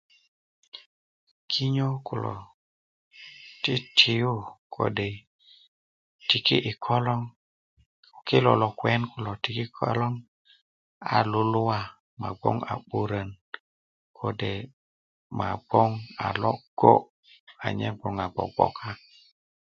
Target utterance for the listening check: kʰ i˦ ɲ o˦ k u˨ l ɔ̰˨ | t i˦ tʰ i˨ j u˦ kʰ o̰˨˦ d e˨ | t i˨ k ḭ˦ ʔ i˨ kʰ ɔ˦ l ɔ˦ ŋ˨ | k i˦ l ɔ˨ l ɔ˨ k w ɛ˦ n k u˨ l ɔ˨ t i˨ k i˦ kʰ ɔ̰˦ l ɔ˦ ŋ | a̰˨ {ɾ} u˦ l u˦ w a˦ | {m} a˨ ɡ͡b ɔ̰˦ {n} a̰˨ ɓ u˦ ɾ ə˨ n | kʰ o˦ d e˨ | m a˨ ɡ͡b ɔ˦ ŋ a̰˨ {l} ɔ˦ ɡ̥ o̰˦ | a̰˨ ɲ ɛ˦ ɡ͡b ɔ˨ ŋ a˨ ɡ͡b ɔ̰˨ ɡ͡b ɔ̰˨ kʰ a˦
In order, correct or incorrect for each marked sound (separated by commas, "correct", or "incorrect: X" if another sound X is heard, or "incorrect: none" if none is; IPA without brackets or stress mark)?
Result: incorrect: l, correct, incorrect: ŋ, correct